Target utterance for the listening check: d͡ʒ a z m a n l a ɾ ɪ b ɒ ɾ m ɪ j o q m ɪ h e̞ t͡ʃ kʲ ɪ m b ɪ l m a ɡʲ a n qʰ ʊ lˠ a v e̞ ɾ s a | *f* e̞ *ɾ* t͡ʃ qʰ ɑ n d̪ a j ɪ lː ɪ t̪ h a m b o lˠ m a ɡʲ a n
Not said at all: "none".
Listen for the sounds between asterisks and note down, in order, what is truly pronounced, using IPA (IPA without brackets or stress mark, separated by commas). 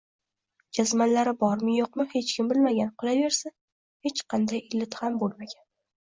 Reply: h, none